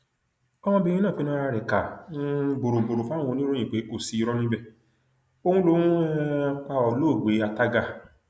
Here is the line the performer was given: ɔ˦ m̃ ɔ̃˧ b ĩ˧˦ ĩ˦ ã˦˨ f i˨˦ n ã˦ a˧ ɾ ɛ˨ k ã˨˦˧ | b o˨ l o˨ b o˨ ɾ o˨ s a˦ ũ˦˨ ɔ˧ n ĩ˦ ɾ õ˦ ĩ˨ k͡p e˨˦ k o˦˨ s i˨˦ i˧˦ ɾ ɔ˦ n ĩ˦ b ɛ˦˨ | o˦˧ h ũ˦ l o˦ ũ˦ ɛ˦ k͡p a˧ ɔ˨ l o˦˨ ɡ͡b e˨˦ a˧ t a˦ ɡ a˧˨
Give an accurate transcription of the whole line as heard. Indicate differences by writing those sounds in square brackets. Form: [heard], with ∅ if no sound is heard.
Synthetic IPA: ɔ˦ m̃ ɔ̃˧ b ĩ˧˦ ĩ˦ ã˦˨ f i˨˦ n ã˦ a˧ ɾ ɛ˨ k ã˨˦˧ | b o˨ [ɾ] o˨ b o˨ ɾ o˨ [f] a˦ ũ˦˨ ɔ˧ n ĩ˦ ɾ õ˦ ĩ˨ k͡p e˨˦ k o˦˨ s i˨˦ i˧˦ ɾ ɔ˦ n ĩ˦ b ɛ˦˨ | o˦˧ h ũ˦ l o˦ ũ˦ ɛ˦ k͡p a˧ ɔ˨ l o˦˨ ɡ͡b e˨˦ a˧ t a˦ ɡ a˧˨